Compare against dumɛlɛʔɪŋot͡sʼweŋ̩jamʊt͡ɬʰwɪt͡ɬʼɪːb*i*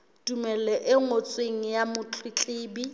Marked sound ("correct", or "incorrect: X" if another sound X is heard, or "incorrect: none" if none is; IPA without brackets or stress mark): correct